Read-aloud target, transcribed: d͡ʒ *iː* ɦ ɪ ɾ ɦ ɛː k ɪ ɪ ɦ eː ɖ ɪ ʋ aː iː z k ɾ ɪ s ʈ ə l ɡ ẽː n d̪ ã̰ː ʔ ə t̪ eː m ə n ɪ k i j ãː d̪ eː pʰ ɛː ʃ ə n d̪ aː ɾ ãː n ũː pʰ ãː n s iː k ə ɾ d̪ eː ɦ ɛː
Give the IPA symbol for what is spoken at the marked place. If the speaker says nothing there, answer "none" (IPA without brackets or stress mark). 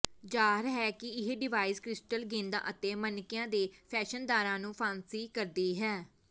aː